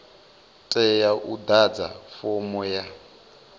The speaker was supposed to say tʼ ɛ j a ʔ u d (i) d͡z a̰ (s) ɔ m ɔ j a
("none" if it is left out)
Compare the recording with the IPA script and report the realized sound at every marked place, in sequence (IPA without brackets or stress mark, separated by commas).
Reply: a, f